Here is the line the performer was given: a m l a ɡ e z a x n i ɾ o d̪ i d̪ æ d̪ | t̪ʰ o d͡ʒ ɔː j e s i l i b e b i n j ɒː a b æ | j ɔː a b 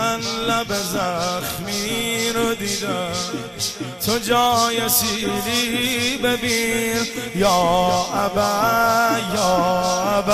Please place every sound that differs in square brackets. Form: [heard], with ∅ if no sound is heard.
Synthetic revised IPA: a [n] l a [b] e z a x [m] i ɾ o d̪ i d̪ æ [∅] | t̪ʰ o d͡ʒ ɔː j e s i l i b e b i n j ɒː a b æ | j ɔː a b